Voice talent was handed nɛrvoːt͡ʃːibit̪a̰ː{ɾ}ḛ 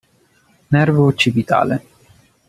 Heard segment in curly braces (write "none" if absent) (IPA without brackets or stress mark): l